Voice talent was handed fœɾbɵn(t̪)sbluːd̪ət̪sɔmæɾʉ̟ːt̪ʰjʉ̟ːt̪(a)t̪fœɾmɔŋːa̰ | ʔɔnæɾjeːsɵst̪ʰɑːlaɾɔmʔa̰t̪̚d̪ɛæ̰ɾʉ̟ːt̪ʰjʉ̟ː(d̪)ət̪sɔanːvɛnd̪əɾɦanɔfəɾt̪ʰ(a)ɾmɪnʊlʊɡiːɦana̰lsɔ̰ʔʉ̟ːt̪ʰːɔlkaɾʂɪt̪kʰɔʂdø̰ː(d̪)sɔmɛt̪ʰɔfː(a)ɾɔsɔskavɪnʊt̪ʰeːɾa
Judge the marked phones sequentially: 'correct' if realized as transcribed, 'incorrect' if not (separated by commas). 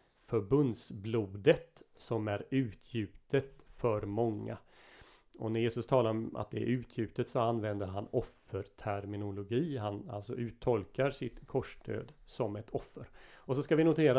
incorrect, incorrect, incorrect, incorrect, correct, incorrect